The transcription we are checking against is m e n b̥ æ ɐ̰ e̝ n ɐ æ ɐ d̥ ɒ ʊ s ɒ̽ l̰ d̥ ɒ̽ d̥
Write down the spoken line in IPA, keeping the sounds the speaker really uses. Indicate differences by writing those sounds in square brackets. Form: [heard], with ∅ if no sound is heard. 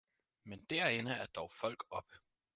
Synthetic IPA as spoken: m e n [d̥] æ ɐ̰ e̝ n [ə] æ ɐ d̥ ɒ ʊ [f] ɒ̽ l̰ [ɡ̥] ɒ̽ [b̥]